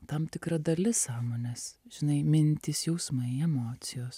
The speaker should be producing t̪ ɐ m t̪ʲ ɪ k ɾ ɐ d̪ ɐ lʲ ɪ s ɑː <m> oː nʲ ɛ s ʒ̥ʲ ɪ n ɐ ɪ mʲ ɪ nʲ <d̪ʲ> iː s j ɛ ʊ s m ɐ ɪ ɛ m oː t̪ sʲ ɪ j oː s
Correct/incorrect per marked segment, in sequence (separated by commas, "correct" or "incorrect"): correct, incorrect